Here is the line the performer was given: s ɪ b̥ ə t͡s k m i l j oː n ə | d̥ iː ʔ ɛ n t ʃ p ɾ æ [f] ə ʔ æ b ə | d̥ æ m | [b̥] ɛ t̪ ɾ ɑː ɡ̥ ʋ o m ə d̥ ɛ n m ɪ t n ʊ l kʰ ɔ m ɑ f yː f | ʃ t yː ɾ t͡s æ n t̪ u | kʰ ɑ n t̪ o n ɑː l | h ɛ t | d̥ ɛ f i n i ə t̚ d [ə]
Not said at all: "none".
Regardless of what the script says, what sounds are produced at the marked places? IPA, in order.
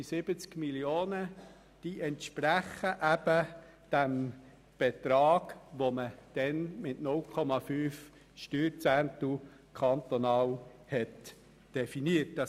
χ, b̥, ɑ

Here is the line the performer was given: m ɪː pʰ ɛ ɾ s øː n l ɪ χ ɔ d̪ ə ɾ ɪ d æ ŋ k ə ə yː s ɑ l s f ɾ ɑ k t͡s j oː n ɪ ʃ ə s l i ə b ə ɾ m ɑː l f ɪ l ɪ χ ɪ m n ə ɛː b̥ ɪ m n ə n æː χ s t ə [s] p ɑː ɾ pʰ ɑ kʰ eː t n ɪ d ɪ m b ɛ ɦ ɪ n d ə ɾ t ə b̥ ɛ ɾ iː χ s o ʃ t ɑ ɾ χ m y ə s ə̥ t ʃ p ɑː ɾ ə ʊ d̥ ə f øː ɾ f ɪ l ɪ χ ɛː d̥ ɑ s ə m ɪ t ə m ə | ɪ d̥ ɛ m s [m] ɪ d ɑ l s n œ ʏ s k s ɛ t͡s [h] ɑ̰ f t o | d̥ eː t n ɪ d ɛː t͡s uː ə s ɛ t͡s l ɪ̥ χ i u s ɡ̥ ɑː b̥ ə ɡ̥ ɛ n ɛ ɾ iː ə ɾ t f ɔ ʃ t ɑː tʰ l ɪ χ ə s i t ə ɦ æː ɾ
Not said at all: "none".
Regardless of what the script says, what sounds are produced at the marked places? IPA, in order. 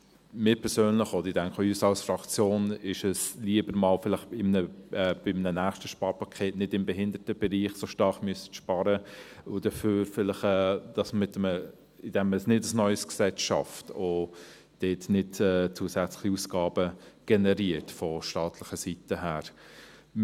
ʃ, n, ʃ

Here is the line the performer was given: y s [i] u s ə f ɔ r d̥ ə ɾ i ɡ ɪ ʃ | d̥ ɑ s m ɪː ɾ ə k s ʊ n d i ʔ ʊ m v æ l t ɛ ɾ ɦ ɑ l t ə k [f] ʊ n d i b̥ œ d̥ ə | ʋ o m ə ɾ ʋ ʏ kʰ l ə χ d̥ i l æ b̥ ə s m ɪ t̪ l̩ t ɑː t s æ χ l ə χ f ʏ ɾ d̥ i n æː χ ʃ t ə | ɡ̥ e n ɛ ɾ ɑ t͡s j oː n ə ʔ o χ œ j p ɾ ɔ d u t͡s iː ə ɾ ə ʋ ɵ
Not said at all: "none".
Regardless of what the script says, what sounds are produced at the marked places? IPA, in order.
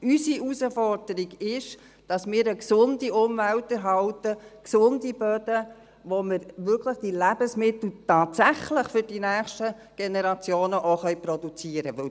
i, s

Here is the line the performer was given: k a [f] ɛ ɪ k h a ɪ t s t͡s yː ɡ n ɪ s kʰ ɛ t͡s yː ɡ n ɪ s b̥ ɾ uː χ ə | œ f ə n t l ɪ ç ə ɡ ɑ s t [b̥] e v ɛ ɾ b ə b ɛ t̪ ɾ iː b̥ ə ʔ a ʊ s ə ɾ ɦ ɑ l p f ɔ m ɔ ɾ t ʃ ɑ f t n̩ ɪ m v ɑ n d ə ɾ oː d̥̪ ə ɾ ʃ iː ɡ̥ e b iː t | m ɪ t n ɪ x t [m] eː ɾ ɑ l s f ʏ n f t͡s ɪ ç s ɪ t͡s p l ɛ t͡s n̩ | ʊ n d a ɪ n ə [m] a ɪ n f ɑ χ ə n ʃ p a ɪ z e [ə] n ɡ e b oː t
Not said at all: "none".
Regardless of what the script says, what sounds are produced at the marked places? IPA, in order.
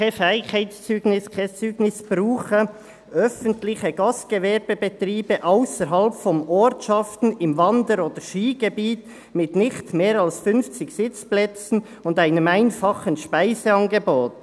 f, ɡ̥, m, m, ɑ

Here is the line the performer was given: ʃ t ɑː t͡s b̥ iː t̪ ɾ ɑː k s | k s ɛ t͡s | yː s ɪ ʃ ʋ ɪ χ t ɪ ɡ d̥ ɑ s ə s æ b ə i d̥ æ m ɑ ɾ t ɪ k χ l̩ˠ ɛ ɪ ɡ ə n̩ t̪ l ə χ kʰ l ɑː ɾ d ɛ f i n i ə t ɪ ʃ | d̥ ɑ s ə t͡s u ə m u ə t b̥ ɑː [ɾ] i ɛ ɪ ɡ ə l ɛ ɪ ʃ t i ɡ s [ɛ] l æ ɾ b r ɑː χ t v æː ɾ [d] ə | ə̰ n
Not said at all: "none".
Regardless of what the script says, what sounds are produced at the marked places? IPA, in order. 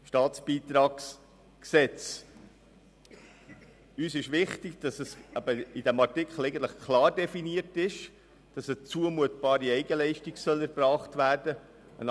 ɾ, œ, d

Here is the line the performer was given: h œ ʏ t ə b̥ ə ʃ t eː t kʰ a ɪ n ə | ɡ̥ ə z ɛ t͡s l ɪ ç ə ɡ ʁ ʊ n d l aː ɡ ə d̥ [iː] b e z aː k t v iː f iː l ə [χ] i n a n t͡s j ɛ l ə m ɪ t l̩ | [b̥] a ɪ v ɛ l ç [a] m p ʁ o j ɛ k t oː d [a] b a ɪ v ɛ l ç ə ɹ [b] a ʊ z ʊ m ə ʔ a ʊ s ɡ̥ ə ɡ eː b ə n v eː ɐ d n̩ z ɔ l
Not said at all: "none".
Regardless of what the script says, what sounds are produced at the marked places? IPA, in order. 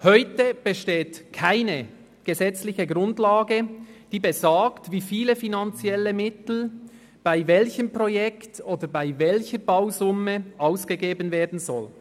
iː, f, b̥, ə, ə, b

